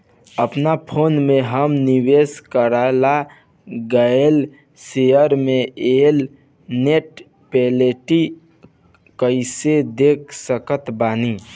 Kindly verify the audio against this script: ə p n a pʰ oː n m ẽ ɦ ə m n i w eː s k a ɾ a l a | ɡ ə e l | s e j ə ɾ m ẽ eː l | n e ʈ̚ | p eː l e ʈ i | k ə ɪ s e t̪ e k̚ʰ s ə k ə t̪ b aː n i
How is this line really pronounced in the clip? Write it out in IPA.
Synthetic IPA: ə p n a pʰ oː n m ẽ ɦ ə m n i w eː s k ə ɾ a l a | ɡ ə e l | s e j ə ɾ m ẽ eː l | n e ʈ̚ | p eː l e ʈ i | k ə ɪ s e d̪ e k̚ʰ s ə k ə t̪ b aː n i